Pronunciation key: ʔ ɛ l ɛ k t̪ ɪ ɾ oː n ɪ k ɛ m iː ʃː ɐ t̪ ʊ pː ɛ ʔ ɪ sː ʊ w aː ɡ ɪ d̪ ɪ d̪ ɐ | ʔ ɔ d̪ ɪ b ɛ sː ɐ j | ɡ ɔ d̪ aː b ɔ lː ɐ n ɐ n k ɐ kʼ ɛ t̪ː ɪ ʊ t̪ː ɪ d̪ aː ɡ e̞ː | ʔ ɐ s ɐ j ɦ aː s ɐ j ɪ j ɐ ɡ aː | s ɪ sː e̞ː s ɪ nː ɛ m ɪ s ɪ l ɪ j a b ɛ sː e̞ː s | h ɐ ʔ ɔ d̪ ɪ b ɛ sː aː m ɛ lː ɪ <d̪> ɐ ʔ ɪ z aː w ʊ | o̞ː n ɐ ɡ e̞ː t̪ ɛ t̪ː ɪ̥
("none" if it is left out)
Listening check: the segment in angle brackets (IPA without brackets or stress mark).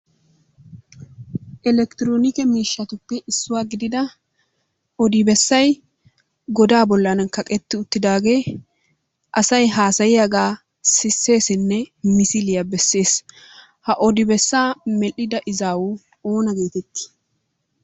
d̪